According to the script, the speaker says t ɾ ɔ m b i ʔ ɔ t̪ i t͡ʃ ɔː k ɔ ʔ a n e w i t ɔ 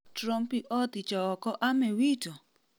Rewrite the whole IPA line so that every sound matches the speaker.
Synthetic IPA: t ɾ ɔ m p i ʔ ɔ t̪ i t͡ʃ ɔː k ɔ ʔ a m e w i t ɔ